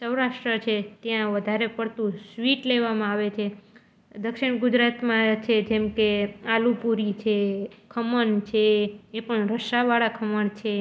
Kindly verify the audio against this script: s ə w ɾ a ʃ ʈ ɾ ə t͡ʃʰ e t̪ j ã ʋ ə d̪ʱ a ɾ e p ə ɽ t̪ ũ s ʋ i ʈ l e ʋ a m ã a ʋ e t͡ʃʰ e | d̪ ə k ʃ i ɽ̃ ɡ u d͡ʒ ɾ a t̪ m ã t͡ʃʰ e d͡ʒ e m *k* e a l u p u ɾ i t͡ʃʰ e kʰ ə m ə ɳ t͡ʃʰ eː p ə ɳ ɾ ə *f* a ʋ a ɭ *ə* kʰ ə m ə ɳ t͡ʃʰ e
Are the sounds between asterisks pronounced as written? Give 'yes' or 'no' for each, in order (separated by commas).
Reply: yes, no, no